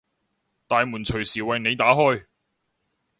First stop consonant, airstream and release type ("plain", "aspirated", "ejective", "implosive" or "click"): plain